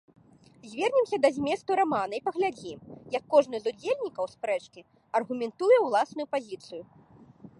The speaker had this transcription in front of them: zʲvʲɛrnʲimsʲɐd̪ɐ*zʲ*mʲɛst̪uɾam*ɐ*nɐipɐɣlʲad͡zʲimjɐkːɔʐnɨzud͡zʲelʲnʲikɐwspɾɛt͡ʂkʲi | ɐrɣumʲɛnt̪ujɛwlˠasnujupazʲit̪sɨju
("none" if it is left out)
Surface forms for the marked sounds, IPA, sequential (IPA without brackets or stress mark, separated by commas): zʲ, a